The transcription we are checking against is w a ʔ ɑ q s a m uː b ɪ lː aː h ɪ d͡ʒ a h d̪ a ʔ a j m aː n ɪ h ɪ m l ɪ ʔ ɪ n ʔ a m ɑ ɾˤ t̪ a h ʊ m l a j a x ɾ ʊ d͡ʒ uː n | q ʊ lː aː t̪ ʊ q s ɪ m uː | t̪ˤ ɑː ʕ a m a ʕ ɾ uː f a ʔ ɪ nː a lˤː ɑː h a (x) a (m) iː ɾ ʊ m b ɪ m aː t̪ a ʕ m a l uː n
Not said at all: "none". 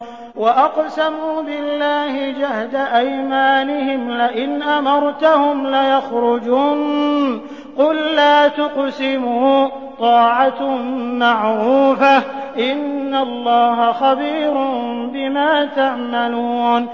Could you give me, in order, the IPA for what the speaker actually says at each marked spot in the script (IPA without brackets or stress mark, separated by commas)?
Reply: x, b